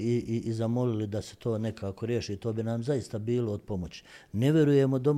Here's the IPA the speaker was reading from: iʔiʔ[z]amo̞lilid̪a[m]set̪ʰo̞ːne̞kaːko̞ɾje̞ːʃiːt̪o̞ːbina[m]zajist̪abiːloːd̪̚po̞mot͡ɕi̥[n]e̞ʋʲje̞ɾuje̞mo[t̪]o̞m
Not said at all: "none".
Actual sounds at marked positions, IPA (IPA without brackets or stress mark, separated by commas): z, none, m, n, d̪